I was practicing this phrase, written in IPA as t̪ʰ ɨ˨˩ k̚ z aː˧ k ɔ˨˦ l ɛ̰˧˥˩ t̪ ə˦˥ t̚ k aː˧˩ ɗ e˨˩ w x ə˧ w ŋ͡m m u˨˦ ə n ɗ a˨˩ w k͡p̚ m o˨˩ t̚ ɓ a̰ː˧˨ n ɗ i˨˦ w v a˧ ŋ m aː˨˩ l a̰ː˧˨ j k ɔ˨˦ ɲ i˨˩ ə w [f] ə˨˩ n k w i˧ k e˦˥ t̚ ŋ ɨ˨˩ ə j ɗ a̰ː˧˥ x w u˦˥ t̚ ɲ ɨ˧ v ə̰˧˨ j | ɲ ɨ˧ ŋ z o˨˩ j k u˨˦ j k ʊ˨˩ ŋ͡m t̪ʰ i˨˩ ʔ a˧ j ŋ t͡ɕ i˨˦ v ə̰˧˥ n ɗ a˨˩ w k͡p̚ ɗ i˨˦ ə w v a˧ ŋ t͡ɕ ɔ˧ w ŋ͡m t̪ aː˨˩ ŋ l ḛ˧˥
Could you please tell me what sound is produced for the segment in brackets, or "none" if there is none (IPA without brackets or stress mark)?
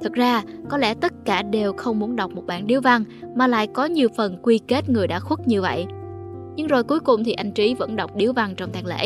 f